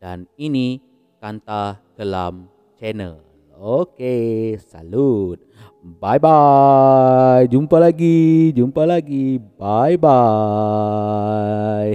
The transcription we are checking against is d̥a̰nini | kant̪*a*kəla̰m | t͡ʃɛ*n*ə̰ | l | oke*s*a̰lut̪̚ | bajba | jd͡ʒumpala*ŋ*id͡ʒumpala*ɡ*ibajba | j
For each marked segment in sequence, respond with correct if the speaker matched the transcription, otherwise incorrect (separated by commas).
correct, correct, correct, incorrect, correct